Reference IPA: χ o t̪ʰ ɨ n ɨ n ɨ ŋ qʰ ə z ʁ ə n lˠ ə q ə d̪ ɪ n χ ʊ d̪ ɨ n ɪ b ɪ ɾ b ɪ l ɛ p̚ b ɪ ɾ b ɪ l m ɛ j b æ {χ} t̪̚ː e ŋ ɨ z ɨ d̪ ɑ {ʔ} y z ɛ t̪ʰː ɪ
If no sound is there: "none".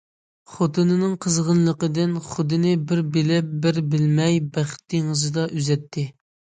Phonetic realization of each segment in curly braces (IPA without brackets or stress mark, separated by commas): χ, ʔ